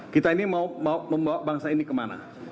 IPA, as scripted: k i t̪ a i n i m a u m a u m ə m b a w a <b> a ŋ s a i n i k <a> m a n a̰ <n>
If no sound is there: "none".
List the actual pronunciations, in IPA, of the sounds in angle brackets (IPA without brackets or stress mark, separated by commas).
b, ə, none